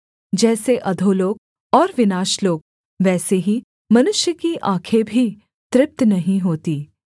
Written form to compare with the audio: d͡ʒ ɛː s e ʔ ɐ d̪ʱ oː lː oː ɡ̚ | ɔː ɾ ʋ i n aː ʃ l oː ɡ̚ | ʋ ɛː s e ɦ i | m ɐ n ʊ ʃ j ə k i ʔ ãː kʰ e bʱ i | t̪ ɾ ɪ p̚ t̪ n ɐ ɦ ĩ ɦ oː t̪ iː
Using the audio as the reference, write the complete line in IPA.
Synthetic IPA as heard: d͡ʒ ɛː s e ʔ ɐ d̪ʱ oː l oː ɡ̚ | ɔː ɾ ʋ ɪ n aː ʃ l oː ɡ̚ | ʋ ɛː s e ɦ i | m ɐ n ʊ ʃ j ə k i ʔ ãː kʰ e bʱ i | t̪ ɾ ɪ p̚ t̪ n ɐ ɦ ĩ ɦ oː t̪ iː